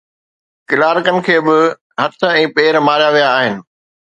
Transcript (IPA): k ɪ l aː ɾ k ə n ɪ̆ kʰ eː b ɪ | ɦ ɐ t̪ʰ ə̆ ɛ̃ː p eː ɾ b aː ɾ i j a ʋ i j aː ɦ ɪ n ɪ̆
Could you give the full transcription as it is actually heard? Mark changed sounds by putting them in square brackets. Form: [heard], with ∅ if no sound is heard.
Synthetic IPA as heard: k ɪ l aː ɾ k ə n ɪ̆ kʰ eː b ɪ | ɦ ɐ t̪ʰ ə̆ ɛ̃ː p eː ɾ [m] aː ɾ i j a ʋ i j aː ɦ ɪ n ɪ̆

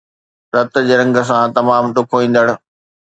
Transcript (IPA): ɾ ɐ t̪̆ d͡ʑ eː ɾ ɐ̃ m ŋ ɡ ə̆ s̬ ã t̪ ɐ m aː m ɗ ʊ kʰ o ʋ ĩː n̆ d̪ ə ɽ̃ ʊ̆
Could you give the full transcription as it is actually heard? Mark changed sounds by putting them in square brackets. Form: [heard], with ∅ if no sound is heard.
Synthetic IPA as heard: ɾ ɐ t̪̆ d͡ʑ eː ɾ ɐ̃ [∅] ŋ ɡ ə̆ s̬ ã t̪ ɐ m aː m ɗ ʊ kʰ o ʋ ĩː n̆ d̪ ə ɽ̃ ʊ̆

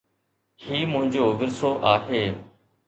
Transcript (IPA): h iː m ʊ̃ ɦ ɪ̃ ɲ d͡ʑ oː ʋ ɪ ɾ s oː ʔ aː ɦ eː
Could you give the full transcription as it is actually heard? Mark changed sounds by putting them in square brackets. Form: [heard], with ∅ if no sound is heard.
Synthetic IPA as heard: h iː m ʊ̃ ɦ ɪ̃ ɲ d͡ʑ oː ʋ ɪ ɾ s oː ʔ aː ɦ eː

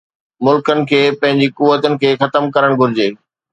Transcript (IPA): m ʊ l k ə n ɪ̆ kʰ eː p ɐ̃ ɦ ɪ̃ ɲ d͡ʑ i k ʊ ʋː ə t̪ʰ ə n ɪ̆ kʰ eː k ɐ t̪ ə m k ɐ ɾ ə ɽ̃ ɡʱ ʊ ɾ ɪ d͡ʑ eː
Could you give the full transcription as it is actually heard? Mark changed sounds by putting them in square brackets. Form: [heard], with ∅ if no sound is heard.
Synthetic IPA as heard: m ʊ l k ə n ɪ̆ kʰ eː p ɐ̃ ɦ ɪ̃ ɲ d͡ʑ i k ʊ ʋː ə [t̪] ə n ɪ̆ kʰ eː [x] ɐ t̪ ə m k ɐ ɾ ə ɽ̃ ɡʱ ʊ ɾ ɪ d͡ʑ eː

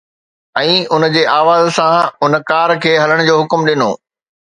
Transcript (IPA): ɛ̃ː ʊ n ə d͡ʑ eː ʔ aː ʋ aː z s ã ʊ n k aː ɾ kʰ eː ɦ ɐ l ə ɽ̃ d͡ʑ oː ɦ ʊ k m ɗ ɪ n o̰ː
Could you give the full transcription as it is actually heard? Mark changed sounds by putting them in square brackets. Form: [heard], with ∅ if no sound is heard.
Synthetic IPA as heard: ɛ̃ː ʊ n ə d͡ʑ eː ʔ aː ʋ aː z s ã ʊ n k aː ɾ kʰ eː ɦ ɐ l ə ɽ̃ d͡ʑ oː ɦ ʊ k m ɗ ɪ n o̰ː

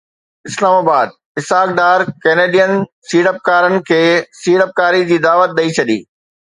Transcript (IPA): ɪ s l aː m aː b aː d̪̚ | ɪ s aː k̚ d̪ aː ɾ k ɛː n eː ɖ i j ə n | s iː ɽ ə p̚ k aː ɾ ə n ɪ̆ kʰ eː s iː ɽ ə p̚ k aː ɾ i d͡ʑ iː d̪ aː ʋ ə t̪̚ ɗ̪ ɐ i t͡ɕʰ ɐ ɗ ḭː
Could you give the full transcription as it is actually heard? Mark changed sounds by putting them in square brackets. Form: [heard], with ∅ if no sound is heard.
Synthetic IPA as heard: ɪ s l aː m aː b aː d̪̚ | ɪ s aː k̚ d̪ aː ɾ k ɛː n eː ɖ i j ə n | s iː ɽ ə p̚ k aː ɾ ə n ɪ̆ kʰ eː s iː ɽ ə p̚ k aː ɾ i d͡ʑ iː d̪ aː ʋ ə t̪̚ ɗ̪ ɐ i t͡ɕʰ ɐ ɗ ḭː

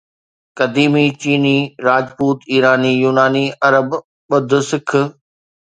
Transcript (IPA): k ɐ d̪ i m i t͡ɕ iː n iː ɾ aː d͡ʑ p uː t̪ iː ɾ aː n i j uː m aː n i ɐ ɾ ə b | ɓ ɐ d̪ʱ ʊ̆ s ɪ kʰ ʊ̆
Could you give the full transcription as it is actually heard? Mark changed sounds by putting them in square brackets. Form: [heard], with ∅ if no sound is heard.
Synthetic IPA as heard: k ɐ d̪ [iː] m i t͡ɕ iː n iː ɾ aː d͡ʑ p uː t̪ iː ɾ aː n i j uː [n] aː n i ɐ ɾ ə b | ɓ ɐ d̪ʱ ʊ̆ s ɪ kʰ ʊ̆

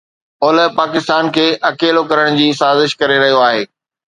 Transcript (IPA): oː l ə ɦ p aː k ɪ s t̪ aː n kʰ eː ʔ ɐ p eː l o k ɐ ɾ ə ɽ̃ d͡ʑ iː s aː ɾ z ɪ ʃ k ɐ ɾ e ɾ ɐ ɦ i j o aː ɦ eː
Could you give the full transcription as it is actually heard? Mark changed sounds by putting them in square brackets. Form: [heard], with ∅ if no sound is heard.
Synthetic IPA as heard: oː l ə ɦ p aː k ɪ s t̪ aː n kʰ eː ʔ ɐ [k] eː l o k ɐ ɾ ə ɽ̃ d͡ʑ iː s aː [∅] z ɪ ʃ k ɐ ɾ e ɾ ɐ ɦ i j o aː ɦ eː

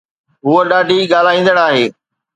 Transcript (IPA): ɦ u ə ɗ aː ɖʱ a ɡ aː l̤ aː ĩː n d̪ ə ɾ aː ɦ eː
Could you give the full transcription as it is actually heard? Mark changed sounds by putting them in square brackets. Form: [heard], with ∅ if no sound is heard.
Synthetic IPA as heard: ɦ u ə ɗ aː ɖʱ [i] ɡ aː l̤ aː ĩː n d̪ ə [ɽ] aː ɦ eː

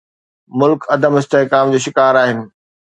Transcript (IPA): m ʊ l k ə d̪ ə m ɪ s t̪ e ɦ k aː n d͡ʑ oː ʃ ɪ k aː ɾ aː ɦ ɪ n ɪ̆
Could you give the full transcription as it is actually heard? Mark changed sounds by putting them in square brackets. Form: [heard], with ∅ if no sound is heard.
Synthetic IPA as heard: m ʊ l k [ɐ] d̪ ə m ɪ s t̪ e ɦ k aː [m] d͡ʑ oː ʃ ɪ k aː ɾ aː ɦ ɪ n ɪ̆

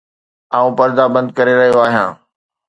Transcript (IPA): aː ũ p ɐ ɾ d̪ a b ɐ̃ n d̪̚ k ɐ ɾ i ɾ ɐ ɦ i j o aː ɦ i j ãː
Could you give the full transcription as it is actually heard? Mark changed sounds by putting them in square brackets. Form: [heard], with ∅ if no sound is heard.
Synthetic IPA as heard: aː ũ p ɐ ɾ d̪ a b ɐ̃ n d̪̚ k ɐ ɾ [e] ɾ ɐ ɦ i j o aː ɦ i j ãː

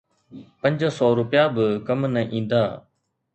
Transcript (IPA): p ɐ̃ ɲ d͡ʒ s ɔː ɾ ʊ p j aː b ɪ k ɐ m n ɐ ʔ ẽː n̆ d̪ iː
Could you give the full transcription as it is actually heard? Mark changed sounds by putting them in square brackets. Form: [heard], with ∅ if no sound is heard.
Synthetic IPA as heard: p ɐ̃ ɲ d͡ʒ s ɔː ɾ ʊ p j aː b ɪ k ɐ m n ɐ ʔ [ĩː] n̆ d̪ [aː]

